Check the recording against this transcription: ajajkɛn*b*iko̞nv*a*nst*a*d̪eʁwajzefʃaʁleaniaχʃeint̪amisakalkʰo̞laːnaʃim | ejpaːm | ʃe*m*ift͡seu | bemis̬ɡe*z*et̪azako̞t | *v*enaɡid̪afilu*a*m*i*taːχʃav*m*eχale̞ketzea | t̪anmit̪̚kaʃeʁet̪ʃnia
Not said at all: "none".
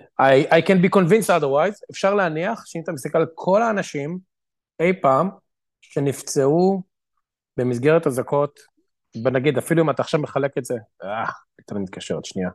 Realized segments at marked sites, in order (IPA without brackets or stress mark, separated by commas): b, i, a, n, ʁ, b, i, a, m